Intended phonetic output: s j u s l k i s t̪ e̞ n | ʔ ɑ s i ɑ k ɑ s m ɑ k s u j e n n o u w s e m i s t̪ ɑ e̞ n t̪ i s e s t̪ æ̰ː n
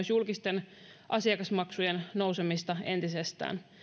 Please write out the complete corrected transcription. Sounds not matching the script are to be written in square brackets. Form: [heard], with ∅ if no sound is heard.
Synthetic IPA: s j u [∅] l k i s t̪ e̞ n | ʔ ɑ s i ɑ k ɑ s m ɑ k s u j e n n o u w s e m i s t̪ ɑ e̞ n t̪ i s e s t̪ æ̰ː n